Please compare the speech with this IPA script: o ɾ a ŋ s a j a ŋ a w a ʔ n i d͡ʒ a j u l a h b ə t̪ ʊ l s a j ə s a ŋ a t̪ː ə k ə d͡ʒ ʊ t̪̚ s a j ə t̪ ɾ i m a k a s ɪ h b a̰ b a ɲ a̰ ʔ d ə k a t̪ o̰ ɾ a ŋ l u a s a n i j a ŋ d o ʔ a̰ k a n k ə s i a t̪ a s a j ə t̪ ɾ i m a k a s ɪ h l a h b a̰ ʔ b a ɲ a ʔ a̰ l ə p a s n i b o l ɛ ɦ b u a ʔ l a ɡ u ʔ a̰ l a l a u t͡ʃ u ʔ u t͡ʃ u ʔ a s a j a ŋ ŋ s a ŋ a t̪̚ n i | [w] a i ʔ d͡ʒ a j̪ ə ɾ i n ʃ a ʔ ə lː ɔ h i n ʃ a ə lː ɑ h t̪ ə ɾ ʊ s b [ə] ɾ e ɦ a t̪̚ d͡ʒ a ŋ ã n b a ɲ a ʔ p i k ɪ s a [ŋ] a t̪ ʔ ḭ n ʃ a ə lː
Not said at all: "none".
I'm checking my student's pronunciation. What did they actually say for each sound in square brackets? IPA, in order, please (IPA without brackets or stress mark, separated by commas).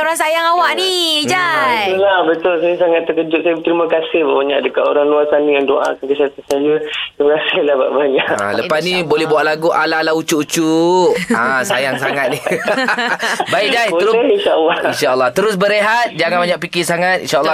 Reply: b, ə, ŋ